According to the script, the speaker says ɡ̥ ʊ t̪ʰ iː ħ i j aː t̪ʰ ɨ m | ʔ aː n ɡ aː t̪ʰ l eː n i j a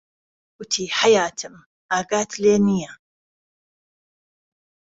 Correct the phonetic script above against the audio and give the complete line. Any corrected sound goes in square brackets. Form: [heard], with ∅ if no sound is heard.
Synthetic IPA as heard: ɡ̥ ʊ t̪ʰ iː ħ [a] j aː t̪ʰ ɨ m | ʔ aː [∅] ɡ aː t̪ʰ l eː n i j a